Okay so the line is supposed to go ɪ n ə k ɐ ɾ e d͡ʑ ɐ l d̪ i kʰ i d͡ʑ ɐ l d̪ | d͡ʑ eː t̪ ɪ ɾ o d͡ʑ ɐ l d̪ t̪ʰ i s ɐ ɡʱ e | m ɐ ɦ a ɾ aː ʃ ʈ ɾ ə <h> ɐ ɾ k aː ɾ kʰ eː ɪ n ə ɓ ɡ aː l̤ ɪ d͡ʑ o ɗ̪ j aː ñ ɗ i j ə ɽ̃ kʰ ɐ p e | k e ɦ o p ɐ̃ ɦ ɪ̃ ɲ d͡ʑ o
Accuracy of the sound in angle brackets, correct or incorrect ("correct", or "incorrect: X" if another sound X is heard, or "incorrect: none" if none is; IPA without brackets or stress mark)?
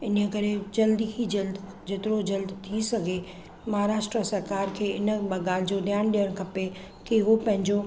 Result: incorrect: s